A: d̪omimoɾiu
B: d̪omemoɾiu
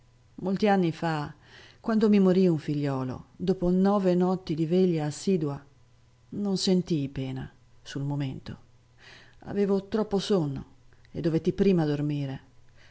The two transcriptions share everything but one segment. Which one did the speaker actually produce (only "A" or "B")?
A